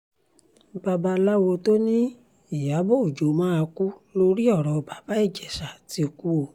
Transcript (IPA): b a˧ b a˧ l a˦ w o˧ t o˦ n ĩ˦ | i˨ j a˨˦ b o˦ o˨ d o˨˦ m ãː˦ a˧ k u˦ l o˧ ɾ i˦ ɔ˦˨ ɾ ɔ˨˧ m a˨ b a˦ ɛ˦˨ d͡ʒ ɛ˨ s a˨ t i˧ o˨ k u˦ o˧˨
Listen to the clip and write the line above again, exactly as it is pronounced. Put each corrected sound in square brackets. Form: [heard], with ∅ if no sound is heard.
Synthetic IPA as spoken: b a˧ b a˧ l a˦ w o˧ t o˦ n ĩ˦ | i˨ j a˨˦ b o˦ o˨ [d͡ʒ] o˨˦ m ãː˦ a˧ k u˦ l o˧ ɾ i˦ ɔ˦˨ ɾ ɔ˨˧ [b] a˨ b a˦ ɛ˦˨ d͡ʒ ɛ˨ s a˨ t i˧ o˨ k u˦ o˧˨

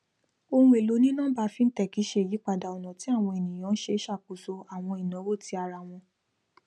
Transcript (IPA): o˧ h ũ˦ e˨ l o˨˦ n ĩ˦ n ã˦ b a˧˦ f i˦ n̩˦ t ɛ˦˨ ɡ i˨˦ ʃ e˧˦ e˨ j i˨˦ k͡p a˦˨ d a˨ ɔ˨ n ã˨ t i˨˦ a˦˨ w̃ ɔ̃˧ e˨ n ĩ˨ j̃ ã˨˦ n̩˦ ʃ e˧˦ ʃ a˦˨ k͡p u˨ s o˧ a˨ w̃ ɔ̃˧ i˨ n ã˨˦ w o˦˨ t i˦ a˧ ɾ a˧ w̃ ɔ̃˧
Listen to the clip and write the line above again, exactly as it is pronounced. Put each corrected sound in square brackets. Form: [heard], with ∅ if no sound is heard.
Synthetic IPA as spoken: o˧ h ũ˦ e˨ l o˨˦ n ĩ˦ n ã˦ b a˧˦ f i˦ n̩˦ t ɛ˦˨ [k] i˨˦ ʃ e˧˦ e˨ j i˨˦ k͡p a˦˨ d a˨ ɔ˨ n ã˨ t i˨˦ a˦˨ w̃ ɔ̃˧ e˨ n ĩ˨ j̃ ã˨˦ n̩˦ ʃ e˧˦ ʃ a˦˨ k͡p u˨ s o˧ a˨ w̃ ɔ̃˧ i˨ n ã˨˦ w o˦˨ t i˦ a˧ ɾ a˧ w̃ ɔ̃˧

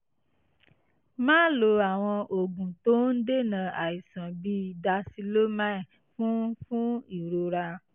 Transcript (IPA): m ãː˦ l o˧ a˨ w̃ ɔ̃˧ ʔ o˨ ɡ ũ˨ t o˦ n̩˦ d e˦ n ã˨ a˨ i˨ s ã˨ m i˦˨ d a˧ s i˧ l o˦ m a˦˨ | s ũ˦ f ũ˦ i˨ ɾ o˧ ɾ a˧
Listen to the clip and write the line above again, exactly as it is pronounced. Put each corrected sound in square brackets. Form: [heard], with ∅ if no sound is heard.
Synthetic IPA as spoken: m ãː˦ l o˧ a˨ w̃ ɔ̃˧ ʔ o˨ ɡ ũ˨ t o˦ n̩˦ d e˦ n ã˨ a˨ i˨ s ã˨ [b] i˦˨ d a˧ s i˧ l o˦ m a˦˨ | [f] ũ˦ f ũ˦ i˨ ɾ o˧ ɾ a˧

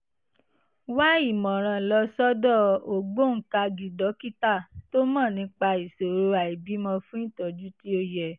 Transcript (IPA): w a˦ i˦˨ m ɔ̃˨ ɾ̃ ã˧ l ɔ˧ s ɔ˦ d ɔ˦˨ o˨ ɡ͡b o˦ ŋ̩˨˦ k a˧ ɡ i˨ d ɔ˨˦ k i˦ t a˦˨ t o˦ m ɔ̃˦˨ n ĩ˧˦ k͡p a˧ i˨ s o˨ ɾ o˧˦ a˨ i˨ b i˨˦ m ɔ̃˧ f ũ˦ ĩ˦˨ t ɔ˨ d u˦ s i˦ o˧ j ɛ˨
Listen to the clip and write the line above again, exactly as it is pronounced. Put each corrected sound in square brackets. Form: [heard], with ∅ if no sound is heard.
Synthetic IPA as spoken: w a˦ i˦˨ m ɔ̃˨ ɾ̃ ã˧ l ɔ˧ s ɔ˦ d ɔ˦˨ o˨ ɡ͡b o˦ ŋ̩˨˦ k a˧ ɡ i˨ d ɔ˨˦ k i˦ t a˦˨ t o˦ m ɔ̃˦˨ n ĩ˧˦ k͡p a˧ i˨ s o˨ ɾ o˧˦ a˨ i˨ b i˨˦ m ɔ̃˧ f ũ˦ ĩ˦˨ t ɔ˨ [d͡ʒ] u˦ [t] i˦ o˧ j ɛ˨

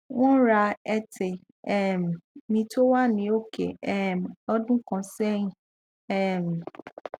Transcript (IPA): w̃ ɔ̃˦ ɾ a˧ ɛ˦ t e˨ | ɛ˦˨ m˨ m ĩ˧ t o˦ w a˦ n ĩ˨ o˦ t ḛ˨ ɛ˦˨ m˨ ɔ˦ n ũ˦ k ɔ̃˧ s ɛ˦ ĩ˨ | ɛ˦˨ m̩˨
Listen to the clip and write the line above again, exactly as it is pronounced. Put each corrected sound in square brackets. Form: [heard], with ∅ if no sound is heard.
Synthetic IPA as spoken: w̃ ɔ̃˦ ɾ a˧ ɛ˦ t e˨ | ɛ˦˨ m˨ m ĩ˧ t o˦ w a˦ n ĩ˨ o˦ [k] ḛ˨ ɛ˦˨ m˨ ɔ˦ [d] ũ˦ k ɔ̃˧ s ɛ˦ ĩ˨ | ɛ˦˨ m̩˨

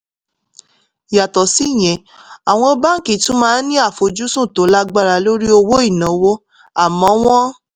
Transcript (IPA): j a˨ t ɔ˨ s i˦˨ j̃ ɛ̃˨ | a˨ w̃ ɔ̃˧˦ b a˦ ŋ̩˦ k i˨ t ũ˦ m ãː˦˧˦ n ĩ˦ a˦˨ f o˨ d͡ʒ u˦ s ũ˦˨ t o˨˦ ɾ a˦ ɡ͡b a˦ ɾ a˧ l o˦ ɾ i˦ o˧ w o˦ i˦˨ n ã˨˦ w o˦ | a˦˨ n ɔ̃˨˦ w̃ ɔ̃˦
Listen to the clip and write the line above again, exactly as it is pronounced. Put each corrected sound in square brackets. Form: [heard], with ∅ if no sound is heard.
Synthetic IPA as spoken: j a˨ t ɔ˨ s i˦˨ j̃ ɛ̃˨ | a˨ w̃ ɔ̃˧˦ b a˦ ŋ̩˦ k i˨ t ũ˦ m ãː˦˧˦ n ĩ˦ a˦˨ f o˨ d͡ʒ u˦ s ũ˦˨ t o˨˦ [l] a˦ ɡ͡b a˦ ɾ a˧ l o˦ ɾ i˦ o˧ w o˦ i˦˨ n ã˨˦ w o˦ | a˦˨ [m] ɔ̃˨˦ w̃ ɔ̃˦

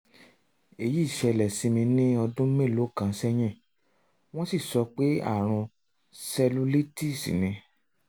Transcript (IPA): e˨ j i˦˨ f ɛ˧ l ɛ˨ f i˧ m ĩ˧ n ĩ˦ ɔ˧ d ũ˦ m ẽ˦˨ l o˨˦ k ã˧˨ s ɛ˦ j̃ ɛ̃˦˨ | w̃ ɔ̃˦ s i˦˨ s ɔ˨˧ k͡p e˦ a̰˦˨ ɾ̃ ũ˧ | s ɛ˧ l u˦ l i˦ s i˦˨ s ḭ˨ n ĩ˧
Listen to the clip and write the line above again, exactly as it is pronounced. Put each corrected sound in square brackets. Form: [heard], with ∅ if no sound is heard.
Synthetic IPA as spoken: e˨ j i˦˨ [ʃ] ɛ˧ l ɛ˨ [s] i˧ m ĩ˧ n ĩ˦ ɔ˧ d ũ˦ m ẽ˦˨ l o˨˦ k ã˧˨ s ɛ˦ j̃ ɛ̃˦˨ | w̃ ɔ̃˦ s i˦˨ s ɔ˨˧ k͡p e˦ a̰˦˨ ɾ̃ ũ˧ | s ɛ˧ l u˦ l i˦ [t] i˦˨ s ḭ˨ n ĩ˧

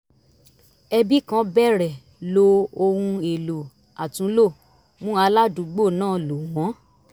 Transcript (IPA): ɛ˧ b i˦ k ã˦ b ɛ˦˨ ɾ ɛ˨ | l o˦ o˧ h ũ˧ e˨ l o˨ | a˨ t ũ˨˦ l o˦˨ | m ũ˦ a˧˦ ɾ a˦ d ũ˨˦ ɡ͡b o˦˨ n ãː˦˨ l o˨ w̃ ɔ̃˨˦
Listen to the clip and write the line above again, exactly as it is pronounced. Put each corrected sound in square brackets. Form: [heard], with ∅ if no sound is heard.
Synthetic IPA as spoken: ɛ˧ b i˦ k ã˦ b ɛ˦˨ ɾ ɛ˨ | l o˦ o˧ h ũ˧ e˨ l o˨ | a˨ t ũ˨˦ l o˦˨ | m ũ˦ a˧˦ [l] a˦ d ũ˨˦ ɡ͡b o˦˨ n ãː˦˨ l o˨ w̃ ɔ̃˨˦

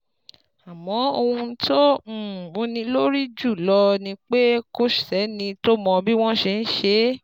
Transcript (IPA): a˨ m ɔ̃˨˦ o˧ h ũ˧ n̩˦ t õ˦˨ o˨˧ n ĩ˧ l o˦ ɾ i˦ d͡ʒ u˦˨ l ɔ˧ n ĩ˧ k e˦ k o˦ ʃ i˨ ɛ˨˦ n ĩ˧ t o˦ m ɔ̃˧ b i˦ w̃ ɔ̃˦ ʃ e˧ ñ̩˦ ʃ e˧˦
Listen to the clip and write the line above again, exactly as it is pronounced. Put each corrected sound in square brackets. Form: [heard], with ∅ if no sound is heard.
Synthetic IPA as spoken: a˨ m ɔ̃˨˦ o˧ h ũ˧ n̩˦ t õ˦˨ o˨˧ n ĩ˧ l o˦ ɾ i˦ d͡ʒ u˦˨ l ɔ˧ n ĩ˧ [k͡p] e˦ k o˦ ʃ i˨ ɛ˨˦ n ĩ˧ t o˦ m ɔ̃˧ b i˦ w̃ ɔ̃˦ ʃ e˧ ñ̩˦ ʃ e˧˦

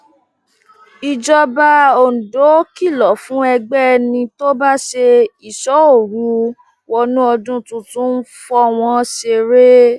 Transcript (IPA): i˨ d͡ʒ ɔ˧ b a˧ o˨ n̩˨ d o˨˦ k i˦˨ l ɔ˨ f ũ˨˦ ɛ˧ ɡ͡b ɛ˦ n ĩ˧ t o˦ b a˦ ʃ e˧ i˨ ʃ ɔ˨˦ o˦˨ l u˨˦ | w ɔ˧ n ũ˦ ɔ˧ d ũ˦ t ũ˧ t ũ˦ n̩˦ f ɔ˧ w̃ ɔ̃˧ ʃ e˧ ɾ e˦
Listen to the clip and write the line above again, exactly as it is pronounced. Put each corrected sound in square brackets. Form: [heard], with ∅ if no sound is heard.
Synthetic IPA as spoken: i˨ d͡ʒ ɔ˧ b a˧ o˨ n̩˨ d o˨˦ k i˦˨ l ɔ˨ f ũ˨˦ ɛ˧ ɡ͡b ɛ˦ n ĩ˧ t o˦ b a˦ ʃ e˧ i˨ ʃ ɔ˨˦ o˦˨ [ɾ] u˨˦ | w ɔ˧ n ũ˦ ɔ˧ d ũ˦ t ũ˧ t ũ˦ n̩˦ f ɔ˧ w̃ ɔ̃˧ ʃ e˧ ɾ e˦

